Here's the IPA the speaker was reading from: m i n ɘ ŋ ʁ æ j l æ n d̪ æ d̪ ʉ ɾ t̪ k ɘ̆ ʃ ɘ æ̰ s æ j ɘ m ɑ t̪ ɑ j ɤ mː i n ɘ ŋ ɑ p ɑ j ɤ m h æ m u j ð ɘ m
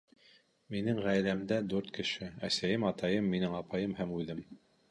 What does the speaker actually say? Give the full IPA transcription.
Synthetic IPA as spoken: m i n ɘ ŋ ʁ æ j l æ m d̪ æ d̪ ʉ ɾ t̪ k ɘ̆ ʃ ɘ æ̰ s æ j ɘ m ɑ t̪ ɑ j ɤ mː i n ɘ ŋ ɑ p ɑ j ɤ m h æ m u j ð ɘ m